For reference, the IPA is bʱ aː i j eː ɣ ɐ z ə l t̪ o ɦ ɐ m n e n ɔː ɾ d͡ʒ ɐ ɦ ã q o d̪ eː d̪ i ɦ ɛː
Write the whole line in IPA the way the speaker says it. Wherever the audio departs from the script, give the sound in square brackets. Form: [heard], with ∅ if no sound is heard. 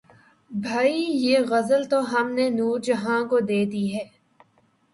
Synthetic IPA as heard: bʱ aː i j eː ɣ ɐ z ə l t̪ o ɦ ɐ m n e n [uː] ɾ d͡ʒ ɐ ɦ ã [k] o d̪ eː d̪ i ɦ ɛː